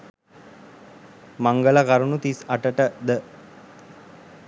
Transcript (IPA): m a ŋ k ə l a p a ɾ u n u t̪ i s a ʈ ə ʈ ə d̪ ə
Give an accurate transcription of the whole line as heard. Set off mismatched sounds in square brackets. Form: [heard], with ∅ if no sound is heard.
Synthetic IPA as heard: m a ŋ [ɡ] ə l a [k] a ɾ u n u t̪ i s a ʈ ə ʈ ə d̪ ə